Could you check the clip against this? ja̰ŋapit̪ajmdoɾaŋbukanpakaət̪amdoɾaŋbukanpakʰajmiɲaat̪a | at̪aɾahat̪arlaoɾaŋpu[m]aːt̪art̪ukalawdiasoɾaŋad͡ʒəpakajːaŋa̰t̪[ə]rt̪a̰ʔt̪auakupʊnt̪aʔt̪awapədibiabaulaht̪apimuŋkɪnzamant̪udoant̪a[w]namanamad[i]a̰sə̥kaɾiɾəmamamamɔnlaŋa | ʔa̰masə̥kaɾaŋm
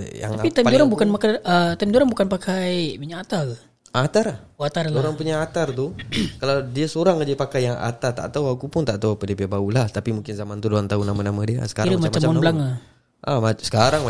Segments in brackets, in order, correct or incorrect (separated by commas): incorrect, incorrect, incorrect, correct